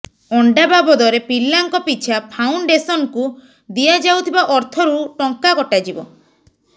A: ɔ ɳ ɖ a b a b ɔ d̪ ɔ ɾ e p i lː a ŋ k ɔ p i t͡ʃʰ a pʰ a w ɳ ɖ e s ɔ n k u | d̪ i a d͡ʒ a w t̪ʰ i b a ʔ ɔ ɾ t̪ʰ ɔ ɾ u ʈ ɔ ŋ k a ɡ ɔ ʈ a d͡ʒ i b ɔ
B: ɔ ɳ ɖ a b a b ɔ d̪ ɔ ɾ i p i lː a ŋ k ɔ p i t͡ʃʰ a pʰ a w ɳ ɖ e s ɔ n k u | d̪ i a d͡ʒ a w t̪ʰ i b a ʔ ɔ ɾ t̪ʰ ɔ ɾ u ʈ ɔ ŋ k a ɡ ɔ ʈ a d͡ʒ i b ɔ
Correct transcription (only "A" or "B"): A